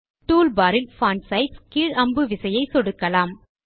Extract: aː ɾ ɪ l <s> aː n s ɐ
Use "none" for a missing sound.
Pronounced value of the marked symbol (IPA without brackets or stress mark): f